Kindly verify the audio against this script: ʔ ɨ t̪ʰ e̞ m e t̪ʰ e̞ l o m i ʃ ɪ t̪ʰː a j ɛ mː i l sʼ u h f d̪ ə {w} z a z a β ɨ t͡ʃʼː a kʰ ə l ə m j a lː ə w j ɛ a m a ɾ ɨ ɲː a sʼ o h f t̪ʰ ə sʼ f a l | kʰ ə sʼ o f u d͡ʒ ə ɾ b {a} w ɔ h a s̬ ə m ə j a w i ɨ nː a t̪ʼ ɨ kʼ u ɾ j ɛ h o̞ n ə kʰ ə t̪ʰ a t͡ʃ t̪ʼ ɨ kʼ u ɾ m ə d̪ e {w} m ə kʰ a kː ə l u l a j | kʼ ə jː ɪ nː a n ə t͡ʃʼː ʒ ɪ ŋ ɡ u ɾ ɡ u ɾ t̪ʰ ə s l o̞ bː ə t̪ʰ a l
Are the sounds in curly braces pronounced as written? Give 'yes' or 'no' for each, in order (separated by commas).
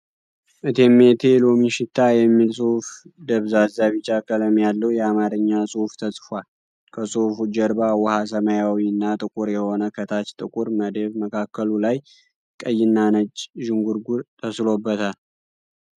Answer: no, yes, no